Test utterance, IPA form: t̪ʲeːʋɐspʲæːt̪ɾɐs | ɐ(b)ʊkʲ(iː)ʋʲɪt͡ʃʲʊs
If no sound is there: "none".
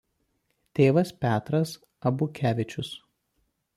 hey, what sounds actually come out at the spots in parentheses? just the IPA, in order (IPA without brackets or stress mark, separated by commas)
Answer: b, æː